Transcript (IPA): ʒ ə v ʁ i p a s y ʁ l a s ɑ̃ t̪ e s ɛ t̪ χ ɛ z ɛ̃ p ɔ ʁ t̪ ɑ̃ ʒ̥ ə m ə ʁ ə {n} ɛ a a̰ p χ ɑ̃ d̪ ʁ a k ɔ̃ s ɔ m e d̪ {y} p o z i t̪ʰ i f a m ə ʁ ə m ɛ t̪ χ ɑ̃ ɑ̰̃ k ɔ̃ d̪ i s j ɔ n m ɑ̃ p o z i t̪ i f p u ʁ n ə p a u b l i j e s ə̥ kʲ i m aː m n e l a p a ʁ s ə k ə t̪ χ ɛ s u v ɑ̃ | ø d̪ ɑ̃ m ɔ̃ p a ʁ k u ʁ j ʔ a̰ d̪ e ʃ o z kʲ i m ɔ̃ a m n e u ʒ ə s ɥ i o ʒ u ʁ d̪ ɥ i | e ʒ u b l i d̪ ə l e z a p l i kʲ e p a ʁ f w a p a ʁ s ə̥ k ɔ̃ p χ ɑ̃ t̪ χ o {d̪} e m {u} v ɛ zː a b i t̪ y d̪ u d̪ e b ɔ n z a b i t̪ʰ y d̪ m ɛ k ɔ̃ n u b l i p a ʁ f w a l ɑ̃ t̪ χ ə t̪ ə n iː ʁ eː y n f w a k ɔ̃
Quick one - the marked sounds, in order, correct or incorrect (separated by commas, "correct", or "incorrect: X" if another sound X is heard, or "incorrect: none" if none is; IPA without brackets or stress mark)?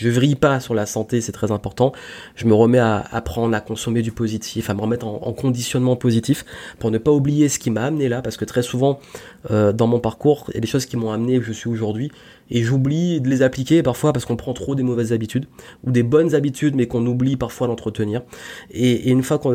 incorrect: m, correct, correct, incorrect: ɔ